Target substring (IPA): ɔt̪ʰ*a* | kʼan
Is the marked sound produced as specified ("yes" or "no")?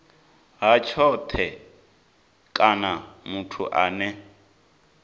no